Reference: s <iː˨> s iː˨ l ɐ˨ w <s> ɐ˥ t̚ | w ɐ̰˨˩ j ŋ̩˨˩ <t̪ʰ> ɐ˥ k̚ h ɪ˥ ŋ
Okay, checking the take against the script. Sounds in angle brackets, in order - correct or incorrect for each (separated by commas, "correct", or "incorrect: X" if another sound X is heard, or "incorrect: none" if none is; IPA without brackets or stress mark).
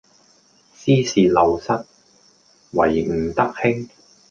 incorrect: iː˥, correct, incorrect: t̪